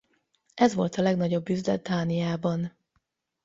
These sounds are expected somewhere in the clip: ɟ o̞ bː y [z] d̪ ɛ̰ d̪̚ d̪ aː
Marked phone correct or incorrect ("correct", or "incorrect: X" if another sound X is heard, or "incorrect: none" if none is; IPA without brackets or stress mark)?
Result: correct